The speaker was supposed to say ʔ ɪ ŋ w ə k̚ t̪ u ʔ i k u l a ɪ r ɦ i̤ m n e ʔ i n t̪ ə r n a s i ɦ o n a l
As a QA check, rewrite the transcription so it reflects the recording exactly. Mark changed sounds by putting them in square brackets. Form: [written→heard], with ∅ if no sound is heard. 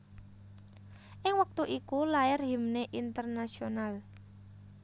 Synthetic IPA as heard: ʔ ɪ ŋ w ə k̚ t̪ u ʔ i k u l a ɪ r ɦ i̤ m n e ʔ i n t̪ ə r n a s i [ɦ→∅] o n a l